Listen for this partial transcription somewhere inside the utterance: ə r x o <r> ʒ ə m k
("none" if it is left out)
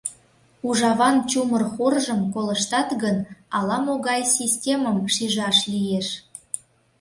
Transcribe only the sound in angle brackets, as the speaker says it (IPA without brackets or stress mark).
r